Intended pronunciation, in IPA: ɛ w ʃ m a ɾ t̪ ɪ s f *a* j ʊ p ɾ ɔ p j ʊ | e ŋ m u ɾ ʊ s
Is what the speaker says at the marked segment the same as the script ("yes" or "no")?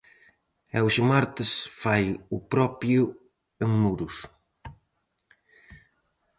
yes